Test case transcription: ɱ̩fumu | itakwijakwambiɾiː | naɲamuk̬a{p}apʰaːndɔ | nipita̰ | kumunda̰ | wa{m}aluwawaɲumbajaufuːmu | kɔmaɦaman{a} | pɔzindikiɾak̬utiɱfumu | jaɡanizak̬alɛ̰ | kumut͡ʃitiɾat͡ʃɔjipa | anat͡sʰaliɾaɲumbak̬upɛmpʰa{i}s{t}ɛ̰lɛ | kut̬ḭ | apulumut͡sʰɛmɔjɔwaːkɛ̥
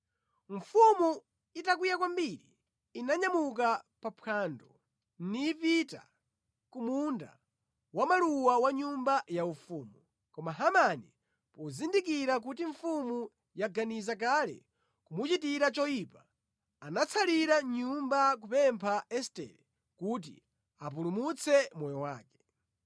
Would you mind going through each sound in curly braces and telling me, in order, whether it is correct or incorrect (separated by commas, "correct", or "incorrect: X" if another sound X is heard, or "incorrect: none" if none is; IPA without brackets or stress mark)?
correct, correct, incorrect: i, incorrect: ɛ, correct